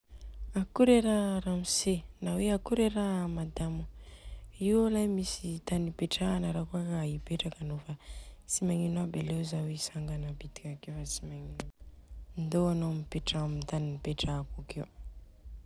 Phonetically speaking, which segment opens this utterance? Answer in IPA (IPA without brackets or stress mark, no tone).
a